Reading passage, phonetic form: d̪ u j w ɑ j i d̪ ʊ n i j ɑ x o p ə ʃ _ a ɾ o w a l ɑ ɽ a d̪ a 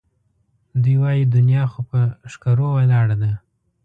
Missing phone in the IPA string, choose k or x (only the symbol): k